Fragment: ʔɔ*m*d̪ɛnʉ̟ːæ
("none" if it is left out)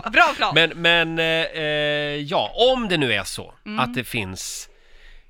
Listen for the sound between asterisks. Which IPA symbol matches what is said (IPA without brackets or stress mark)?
m